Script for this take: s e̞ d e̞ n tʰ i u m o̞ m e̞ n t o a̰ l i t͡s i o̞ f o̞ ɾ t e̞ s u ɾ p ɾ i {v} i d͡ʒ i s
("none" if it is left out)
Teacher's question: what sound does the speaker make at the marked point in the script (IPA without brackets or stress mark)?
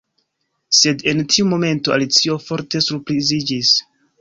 z